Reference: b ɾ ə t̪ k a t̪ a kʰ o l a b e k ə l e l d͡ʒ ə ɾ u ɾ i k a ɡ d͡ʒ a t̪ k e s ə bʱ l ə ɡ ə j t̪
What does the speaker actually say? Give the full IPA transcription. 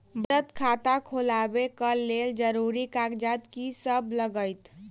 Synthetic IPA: b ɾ ə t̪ kʰ a t̪ a kʰ o l a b e k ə l e l d͡ʒ ə ɾ u ɾ i k a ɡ d͡ʒ a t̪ k i s ə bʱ l ə ɡ ə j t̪